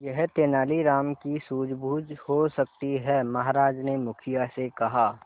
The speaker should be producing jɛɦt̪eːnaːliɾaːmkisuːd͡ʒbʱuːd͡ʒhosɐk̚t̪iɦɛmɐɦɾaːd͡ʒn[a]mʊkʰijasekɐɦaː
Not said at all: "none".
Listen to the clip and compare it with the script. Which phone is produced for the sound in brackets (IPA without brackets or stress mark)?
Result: e